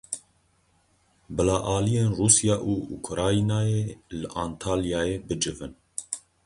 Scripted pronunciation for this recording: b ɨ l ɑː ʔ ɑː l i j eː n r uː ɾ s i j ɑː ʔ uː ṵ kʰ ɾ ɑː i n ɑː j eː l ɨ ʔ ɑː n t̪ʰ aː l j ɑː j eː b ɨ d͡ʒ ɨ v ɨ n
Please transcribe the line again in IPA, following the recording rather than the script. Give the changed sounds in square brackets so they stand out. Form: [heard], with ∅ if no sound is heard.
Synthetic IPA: b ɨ l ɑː ʔ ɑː l i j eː n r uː [∅] s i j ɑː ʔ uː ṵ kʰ ɾ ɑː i n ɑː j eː l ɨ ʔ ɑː n t̪ʰ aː l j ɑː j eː b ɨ d͡ʒ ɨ v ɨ n